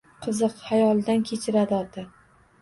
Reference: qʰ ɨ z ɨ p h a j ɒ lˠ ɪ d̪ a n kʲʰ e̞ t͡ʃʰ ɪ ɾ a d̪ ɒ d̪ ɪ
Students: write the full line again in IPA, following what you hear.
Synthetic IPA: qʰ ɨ z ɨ q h a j ɒ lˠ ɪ d̪ a n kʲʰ e̞ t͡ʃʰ ɪ ɾ a d̪ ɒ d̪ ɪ